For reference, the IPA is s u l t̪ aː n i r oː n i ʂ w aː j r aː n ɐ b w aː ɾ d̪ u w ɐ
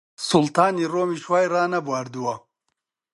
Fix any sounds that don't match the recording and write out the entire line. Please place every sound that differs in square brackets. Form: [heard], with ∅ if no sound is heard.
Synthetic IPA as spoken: s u l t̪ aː n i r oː [m] i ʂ w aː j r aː n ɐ b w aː ɾ d̪ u w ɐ